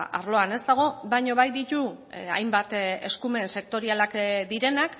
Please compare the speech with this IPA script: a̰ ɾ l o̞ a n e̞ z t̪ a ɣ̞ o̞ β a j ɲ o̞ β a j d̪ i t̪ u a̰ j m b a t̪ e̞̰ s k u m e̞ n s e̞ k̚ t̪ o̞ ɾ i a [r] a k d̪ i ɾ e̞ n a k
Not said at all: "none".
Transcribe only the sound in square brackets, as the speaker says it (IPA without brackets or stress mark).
l